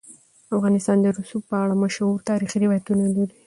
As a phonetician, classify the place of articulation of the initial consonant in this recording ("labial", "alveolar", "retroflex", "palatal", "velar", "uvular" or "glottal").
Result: labial